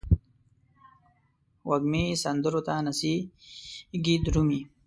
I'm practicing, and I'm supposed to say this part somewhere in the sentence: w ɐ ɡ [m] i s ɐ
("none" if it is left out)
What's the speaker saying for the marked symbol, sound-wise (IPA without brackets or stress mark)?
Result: m